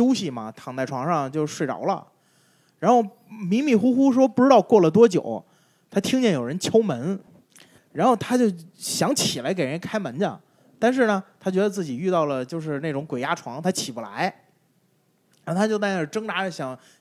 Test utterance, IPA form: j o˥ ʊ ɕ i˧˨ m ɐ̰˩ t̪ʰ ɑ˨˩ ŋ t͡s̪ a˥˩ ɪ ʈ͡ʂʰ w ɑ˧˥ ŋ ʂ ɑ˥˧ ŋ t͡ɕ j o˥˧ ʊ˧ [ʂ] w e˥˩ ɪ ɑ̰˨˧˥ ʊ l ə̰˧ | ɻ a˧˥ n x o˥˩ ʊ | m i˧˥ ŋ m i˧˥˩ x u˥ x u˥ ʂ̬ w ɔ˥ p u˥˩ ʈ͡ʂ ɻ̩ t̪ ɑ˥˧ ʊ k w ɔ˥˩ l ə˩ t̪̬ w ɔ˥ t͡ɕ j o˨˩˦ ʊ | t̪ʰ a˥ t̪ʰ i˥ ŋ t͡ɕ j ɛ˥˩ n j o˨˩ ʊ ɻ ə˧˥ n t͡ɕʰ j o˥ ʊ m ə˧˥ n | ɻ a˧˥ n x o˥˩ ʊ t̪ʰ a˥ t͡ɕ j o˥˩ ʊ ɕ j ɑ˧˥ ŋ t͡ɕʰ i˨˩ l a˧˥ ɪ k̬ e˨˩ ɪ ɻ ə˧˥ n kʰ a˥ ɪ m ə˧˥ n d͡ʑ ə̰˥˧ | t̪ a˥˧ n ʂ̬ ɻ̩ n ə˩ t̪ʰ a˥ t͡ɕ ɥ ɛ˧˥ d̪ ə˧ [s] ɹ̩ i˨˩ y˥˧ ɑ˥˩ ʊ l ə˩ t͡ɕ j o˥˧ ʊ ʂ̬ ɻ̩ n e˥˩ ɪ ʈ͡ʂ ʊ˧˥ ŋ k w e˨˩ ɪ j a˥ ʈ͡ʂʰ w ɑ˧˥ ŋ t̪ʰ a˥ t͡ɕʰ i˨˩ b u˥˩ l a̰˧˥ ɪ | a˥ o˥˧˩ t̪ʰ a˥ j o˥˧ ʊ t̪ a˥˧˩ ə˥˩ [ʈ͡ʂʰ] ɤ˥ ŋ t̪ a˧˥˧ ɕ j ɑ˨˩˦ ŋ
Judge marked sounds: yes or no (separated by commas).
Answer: yes, no, no